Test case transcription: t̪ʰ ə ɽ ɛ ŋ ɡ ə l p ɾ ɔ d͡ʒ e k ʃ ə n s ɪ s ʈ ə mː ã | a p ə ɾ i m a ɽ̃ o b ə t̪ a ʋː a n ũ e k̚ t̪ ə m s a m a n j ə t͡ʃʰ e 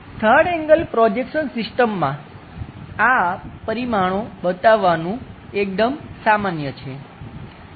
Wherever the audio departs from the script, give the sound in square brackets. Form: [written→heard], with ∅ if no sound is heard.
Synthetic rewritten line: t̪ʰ ə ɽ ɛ ŋ ɡ ə l p ɾ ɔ d͡ʒ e k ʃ ə n s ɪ s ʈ ə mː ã | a p ə ɾ i m a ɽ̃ o b ə t̪ a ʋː a n ũ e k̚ [t̪→d̪] ə m s a m a n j ə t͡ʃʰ e